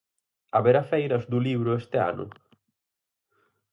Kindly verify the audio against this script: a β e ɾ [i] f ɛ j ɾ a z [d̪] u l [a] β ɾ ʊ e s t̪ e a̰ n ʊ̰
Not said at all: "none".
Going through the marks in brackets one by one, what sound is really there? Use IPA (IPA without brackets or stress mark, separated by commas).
a, d̪, i